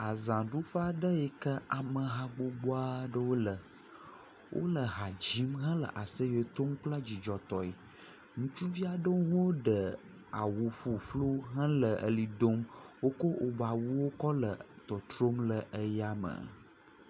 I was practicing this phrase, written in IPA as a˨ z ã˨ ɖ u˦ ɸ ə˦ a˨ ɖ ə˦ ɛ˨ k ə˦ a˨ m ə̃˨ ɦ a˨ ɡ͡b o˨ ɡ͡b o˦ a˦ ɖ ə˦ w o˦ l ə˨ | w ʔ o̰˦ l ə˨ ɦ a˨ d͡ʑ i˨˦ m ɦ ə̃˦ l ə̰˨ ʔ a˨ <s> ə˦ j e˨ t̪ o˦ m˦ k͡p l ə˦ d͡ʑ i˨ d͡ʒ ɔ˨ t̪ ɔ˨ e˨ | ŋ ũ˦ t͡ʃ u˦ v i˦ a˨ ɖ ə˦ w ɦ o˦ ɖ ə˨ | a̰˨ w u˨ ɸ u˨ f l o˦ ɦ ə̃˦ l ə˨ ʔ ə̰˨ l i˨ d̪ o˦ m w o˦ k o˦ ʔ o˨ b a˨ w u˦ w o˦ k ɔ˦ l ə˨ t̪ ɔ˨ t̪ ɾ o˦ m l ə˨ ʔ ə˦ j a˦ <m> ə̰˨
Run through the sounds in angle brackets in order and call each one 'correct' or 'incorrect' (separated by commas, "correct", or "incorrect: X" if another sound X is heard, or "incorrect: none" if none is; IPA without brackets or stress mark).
correct, correct